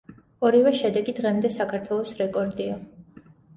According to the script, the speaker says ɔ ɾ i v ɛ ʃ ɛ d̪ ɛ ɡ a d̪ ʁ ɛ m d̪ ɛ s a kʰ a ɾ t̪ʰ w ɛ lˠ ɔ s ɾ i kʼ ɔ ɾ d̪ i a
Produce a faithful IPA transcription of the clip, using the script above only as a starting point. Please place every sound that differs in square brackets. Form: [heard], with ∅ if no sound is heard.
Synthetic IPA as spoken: ɔ ɾ i v ɛ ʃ ɛ d̪ ɛ ɡ [i] d̪ ʁ ɛ m d̪ ɛ s a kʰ a ɾ t̪ʰ w ɛ lˠ ɔ s ɾ [ɛ] kʼ ɔ ɾ d̪ i a

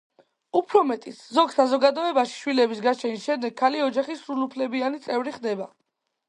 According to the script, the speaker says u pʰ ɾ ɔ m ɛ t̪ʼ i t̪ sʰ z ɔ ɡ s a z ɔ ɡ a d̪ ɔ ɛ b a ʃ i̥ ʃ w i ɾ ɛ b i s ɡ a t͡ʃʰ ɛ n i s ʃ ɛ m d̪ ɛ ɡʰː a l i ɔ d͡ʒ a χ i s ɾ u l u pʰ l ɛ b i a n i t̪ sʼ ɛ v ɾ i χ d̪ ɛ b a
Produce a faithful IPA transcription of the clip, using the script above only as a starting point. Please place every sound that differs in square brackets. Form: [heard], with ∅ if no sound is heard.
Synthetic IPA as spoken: u pʰ ɾ ɔ m ɛ t̪ʼ i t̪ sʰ z ɔ ɡ s a z ɔ ɡ a d̪ ɔ ɛ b a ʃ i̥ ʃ w i [l] ɛ b i s ɡ a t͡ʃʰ ɛ n i s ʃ ɛ m d̪ ɛ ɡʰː a l i ɔ d͡ʒ a χ i s ɾ u l u pʰ l ɛ b i a n i t̪ sʼ ɛ v ɾ i χ d̪ ɛ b a

